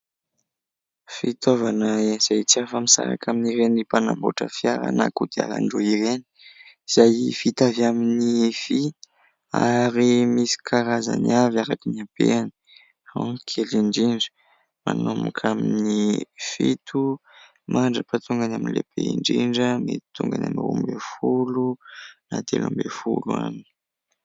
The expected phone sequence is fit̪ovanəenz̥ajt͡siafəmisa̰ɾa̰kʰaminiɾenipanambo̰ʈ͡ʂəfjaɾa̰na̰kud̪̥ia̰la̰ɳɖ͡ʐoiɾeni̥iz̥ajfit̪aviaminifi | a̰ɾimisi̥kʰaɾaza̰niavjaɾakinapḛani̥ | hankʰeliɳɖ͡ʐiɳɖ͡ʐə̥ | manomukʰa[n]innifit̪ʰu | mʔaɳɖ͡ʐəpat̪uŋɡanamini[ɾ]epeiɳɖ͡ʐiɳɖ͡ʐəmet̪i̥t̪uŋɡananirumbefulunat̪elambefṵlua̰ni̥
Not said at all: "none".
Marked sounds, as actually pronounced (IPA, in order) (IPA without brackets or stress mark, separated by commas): m, l